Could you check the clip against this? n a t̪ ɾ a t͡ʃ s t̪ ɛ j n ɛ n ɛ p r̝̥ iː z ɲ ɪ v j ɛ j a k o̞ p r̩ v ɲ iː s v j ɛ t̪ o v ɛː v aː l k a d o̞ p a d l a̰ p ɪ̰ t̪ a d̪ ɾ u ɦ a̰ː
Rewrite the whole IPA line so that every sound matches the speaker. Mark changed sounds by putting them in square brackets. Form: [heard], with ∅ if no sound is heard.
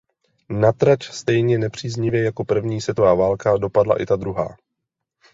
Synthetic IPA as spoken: n a t̪ ɾ a t͡ʃ s t̪ ɛ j [ɲ] ɛ n ɛ p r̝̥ iː z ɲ ɪ v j ɛ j a k o̞ p r̩ v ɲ iː s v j ɛ t̪ o v [aː] v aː l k a d o̞ p a d l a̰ [ʔ] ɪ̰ t̪ a d̪ ɾ u ɦ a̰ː